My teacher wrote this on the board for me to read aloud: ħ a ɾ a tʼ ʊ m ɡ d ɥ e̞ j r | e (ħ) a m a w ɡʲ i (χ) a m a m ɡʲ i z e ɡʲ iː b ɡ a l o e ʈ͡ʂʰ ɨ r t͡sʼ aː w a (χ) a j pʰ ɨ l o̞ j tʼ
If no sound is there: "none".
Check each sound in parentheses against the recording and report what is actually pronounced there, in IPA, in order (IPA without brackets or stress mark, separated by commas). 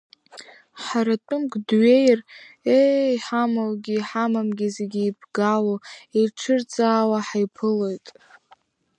ħ, ħ, ħ